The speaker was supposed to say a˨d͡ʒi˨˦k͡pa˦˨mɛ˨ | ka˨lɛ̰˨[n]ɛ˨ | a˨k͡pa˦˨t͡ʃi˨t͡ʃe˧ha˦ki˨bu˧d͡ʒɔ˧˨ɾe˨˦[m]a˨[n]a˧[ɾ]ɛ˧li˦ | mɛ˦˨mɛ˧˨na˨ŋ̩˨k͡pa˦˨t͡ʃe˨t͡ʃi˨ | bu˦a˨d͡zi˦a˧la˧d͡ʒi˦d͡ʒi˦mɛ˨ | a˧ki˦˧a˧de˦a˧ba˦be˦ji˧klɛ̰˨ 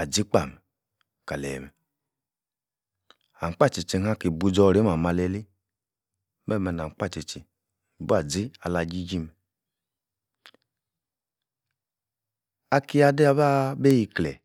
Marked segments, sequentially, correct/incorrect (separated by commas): incorrect, correct, incorrect, incorrect